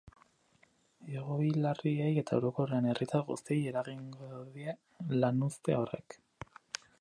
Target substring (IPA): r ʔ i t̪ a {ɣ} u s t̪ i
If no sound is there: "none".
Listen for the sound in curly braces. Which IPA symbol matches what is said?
ɣ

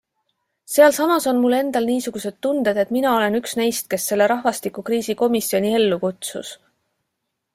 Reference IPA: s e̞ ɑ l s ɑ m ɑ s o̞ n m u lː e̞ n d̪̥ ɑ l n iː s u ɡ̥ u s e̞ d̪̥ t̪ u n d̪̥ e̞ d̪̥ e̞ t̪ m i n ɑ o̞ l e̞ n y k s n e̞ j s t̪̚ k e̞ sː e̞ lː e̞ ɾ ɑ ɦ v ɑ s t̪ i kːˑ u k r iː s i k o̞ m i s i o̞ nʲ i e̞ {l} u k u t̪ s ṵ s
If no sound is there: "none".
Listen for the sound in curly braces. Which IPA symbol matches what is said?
lː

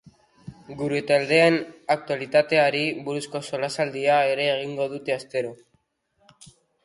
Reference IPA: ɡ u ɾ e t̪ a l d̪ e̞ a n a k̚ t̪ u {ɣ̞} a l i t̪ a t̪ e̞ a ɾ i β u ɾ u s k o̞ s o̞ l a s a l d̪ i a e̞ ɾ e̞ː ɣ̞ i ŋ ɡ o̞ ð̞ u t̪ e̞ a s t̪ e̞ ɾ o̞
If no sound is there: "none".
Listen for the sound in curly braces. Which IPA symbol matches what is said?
none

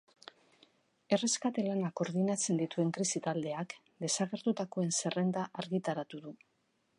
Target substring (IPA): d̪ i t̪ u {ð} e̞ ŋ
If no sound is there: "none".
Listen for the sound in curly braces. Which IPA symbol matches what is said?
none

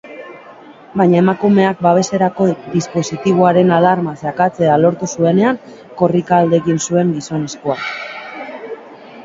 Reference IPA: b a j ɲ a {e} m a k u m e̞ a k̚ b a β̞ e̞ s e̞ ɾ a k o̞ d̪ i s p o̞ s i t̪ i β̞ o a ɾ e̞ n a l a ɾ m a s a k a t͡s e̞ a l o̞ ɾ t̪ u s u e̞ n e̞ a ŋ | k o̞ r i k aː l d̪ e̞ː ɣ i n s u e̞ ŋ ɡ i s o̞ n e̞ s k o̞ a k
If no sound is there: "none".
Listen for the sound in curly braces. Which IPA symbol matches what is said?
e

